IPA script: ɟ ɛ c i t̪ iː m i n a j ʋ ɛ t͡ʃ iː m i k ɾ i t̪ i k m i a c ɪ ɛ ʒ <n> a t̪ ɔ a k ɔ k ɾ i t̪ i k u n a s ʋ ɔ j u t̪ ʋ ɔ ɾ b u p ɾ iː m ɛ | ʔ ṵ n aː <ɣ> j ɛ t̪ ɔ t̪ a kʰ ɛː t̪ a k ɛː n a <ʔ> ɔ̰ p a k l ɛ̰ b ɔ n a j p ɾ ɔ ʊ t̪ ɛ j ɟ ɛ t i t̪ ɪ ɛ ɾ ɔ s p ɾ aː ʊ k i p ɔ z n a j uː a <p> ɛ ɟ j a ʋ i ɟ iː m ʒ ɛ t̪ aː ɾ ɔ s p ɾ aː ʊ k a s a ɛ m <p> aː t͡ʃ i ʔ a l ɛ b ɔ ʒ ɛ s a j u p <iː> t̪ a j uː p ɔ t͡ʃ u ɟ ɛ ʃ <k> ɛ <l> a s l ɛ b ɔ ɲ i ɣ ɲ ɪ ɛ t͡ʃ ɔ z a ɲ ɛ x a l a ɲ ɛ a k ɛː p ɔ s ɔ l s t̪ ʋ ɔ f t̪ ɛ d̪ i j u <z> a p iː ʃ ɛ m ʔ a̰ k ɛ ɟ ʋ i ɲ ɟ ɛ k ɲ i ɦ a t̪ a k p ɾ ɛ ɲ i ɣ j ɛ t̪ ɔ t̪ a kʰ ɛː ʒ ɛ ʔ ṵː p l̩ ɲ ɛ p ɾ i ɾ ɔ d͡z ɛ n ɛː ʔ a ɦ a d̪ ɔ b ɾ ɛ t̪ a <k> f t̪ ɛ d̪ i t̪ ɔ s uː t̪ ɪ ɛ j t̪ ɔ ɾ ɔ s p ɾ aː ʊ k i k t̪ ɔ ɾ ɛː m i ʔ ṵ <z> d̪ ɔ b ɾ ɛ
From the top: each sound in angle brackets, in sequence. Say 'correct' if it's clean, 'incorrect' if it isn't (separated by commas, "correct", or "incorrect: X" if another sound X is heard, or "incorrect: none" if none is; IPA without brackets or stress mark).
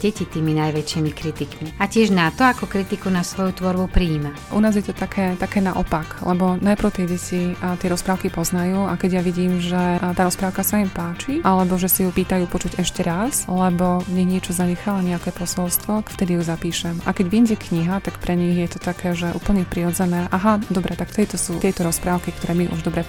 correct, incorrect: z, correct, incorrect: k, correct, correct, incorrect: c, incorrect: ɾ, correct, correct, incorrect: ʒ